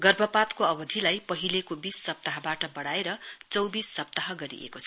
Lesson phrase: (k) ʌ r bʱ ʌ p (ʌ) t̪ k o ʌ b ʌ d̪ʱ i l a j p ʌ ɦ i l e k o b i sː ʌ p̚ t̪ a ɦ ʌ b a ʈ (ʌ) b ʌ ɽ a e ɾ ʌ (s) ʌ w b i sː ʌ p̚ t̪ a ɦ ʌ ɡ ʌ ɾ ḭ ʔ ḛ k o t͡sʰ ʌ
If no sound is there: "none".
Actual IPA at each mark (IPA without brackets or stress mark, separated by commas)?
ɡ, a, ʌ, t͡s